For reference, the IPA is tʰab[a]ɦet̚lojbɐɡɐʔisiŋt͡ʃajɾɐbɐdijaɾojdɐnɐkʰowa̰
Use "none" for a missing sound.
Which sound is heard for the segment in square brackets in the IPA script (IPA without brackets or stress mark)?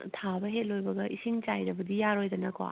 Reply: ɐ